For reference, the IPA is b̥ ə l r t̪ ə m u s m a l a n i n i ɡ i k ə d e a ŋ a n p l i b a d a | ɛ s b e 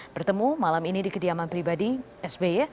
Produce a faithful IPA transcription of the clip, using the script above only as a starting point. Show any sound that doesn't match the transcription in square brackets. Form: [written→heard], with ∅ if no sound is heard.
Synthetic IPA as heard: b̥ ə [l→∅] r t̪ ə m u [s→∅] m a l a [n→m] i n i [ɡ→d] i k ə d [e→i] a [ŋ→m] a n p [l→ɾ] i b a d [a→i] | ɛ s b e